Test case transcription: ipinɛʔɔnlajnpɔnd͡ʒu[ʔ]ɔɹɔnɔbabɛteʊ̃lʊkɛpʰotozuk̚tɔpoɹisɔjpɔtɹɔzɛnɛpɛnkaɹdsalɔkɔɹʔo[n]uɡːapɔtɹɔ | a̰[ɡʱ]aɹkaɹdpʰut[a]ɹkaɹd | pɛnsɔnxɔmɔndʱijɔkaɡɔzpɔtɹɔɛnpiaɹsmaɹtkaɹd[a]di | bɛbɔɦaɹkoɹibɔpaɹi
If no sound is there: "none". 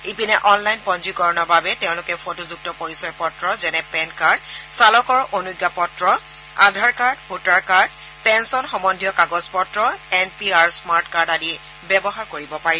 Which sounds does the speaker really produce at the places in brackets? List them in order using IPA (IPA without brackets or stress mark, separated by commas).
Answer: k, n, dʱ, a, a